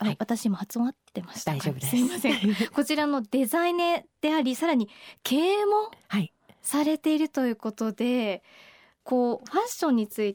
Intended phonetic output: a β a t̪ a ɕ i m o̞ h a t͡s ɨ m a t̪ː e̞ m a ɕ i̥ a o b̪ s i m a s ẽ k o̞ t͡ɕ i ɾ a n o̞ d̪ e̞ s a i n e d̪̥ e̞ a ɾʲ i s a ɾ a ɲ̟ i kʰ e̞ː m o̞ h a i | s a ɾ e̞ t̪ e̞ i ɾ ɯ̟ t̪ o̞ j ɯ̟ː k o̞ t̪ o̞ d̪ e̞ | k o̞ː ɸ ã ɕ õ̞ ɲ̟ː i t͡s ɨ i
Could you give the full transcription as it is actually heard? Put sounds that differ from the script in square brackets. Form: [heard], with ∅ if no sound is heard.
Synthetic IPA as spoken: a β a t̪ a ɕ i m o̞ h a t͡s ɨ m a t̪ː e̞ m a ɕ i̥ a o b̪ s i m a s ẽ k o̞ t͡ɕ i ɾ a n o̞ d̪ e̞ [z] a i n e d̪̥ e̞ a ɾʲ i s a ɾ a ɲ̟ i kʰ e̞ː m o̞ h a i | s a ɾ e̞ t̪ e̞ i ɾ ɯ̟ t̪ o̞ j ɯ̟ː k o̞ t̪ o̞ d̪ e̞ | k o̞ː ɸ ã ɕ õ̞ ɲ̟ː i t͡s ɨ i